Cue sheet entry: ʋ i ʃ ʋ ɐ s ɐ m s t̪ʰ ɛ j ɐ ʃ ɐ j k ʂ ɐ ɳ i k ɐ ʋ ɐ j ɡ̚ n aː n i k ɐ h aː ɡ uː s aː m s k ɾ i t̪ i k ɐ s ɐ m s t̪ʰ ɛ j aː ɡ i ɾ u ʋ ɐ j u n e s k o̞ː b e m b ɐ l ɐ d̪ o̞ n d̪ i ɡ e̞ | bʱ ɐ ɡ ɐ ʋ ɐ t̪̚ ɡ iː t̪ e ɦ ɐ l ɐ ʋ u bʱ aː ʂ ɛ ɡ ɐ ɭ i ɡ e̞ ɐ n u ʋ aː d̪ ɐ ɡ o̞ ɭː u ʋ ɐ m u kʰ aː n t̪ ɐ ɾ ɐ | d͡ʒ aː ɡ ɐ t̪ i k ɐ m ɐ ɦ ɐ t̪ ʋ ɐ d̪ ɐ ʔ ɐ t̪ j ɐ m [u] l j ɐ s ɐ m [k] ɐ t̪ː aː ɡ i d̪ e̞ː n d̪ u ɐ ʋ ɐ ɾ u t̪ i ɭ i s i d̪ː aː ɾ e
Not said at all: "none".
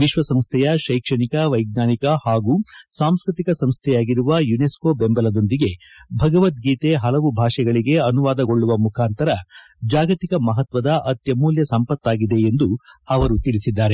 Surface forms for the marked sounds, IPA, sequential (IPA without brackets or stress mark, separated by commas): uː, p